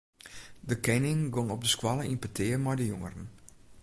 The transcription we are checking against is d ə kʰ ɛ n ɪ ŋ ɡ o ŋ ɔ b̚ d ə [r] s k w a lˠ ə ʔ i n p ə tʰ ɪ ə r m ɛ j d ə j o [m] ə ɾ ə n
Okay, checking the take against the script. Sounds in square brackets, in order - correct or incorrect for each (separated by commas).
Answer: incorrect, incorrect